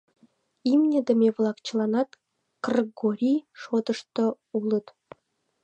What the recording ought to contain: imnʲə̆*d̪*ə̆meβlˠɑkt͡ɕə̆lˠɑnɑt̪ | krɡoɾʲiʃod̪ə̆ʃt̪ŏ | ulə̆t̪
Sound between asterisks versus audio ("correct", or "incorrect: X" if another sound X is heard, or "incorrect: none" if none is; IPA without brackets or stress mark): correct